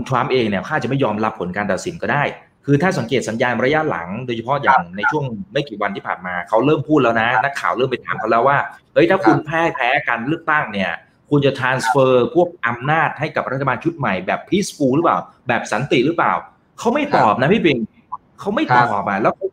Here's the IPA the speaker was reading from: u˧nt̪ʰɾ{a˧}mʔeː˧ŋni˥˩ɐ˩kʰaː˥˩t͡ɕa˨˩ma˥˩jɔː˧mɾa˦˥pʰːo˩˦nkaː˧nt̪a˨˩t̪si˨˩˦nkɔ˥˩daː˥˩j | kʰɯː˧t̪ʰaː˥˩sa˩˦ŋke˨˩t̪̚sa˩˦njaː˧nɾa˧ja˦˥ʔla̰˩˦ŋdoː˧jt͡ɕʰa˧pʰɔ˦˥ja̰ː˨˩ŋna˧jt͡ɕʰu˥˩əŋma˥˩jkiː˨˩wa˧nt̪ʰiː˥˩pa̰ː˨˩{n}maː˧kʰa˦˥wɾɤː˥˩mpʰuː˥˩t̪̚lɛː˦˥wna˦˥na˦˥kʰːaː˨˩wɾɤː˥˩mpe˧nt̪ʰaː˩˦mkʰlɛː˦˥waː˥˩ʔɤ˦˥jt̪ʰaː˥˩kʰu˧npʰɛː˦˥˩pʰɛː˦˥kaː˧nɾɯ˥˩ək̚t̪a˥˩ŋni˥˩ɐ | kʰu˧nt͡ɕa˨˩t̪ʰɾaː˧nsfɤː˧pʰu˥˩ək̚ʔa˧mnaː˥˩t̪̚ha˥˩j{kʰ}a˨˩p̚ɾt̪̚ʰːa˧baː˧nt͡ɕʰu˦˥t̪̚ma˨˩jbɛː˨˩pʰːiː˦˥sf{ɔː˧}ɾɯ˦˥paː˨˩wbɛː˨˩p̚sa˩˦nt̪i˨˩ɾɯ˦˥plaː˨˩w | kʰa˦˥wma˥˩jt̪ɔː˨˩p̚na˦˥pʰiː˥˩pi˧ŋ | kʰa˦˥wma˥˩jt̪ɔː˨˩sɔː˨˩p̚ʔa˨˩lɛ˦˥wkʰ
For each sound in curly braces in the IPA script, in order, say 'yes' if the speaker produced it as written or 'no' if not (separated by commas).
no, yes, no, no